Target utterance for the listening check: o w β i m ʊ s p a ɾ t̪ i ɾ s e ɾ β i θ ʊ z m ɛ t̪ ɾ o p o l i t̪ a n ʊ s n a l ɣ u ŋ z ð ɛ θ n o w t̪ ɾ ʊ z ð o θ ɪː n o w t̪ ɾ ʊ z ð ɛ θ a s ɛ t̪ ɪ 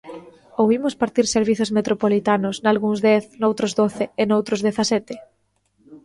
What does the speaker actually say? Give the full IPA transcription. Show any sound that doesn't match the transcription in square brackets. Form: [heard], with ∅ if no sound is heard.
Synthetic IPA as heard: o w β i m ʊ s p a ɾ t̪ i ɾ s e ɾ β i θ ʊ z m [e] t̪ ɾ o p o l i t̪ a n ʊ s n a l ɣ u ŋ z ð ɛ θ n o w t̪ ɾ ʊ z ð o θ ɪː n o w t̪ ɾ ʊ z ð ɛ θ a s ɛ t̪ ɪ